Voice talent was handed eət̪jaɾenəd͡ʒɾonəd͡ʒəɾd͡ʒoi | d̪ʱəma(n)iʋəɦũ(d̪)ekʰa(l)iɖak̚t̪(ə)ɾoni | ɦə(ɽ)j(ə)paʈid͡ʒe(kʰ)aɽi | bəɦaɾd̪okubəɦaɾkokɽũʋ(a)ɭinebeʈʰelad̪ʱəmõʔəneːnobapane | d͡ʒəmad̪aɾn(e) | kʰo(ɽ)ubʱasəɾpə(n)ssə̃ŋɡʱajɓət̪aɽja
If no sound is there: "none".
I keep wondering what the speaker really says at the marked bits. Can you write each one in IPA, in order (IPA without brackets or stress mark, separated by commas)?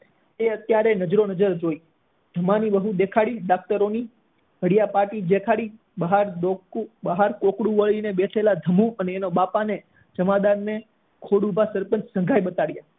n, d̪, ɽ, ə, ɽ, a, kʰ, ə, e, ɽ, n